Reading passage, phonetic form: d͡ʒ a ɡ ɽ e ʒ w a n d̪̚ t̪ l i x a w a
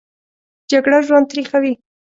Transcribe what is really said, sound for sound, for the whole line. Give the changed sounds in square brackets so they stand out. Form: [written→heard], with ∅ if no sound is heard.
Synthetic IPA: d͡ʒ a ɡ ɽ [e→a] ʒ w a n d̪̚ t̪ [l→ɾ] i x a w [a→i]